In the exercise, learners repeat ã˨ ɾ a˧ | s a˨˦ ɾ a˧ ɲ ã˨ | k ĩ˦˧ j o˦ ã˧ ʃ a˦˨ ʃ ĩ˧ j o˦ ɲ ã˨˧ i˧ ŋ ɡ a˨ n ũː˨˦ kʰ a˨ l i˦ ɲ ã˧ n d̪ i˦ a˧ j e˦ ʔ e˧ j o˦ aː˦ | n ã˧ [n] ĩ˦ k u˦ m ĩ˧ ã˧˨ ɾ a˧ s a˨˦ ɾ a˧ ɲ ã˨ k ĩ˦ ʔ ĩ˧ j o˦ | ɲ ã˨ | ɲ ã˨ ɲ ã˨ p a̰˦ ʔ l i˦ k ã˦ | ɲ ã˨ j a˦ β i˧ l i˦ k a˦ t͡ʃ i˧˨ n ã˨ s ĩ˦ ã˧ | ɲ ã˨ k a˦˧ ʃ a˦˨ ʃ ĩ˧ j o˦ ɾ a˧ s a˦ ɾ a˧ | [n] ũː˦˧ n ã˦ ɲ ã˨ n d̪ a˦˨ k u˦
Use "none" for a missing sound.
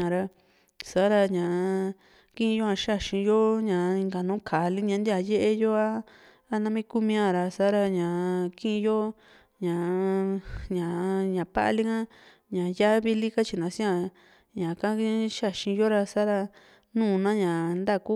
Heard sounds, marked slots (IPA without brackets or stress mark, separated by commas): m, n